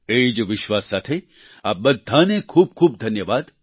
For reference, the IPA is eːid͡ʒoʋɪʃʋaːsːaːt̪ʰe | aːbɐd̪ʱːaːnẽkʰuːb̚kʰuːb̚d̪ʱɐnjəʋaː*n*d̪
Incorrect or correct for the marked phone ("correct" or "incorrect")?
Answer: incorrect